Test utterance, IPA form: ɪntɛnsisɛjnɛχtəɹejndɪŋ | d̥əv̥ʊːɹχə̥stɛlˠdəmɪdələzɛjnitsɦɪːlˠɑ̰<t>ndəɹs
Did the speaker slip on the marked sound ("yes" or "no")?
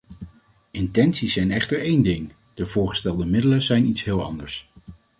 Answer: yes